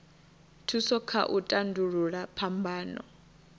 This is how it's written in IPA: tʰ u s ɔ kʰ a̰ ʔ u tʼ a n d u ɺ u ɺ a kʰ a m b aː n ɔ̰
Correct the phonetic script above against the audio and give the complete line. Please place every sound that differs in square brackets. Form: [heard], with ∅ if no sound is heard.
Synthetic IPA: tʰ u s ɔ kʰ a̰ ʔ u tʼ a n d u ɺ u ɺ a [pʰ] a m b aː n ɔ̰